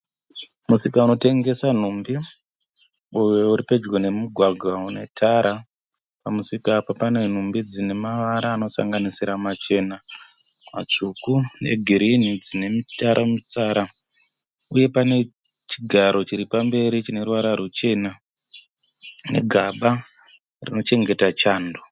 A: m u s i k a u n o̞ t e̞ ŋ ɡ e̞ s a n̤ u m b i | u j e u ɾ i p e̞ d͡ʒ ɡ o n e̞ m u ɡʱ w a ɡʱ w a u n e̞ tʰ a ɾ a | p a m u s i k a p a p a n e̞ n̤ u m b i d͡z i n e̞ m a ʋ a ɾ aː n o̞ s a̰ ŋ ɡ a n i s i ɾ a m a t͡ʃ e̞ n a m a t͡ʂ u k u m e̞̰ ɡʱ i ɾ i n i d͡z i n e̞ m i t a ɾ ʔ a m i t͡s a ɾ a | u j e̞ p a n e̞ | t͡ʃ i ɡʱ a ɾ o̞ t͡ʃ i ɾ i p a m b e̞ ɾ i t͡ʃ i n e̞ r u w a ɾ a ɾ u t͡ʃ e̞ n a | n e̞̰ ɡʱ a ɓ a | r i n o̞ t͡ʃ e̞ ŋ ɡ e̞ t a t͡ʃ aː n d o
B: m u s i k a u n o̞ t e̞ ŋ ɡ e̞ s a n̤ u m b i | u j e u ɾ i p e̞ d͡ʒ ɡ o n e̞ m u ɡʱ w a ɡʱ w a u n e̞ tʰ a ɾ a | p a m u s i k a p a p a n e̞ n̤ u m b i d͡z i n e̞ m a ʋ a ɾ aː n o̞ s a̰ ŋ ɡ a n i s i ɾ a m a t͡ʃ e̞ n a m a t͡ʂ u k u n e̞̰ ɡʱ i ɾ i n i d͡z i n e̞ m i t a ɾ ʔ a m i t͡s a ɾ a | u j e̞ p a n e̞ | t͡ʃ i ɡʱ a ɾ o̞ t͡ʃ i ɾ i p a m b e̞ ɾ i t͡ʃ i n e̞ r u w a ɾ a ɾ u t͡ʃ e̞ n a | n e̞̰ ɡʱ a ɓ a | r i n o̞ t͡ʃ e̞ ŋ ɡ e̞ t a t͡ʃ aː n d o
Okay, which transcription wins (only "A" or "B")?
B